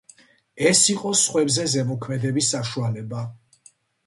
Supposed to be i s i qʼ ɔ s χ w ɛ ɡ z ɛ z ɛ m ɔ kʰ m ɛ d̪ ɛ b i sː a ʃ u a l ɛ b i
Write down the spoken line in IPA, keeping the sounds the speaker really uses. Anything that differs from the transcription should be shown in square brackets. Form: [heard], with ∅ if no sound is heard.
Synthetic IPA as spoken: [ɛ] s i qʼ ɔ s χ w ɛ [b] z ɛ z ɛ m ɔ kʰ m ɛ d̪ ɛ b i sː a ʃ u a l ɛ b [a]